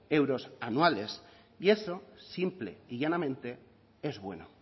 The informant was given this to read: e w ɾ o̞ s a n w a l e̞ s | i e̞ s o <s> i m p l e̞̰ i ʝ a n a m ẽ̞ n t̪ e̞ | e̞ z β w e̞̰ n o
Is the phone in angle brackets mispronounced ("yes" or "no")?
no